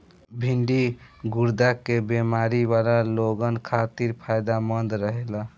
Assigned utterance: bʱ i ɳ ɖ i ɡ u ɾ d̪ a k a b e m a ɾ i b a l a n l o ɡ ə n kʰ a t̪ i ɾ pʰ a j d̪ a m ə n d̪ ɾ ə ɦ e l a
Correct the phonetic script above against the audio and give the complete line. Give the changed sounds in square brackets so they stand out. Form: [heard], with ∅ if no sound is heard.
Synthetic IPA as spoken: bʱ i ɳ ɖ i ɡ u ɾ d̪ a k [e] b e m a ɾ i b a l a [∅] l o ɡ ə n kʰ a t̪ i ɾ pʰ a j d̪ a m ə n d̪ ɾ ə ɦ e l a